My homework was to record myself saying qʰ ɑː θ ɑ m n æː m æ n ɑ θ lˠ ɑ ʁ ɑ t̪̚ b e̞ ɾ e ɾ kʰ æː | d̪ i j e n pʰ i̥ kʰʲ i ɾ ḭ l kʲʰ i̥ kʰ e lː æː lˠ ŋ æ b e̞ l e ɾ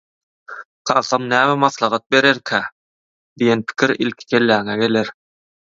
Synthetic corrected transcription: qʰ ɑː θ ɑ m n æː m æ m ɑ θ lˠ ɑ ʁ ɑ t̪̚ b e̞ ɾ e ɾ kʰ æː | d̪ i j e n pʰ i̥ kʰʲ i ɾ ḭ l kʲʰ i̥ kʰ e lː æː ŋ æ ɡ e̞ l e ɾ